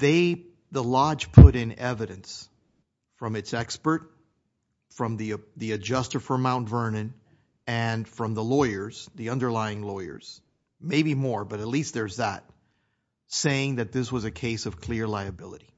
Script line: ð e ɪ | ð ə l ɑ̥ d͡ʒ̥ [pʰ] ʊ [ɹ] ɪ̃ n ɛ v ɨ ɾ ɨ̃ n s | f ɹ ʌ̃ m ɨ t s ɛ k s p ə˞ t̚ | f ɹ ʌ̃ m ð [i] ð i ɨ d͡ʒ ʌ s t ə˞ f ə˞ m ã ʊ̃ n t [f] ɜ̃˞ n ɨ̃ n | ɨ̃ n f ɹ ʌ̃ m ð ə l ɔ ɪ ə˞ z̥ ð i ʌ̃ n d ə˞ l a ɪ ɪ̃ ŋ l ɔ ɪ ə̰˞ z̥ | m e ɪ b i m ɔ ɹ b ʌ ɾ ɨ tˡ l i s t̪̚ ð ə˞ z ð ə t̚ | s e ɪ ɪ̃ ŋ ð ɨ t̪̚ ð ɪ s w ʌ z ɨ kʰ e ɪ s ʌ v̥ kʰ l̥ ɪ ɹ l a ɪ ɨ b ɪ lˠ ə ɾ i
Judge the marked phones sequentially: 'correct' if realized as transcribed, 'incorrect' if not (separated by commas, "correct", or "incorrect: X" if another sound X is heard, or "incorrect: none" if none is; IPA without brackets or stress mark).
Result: correct, incorrect: ɾ, correct, incorrect: v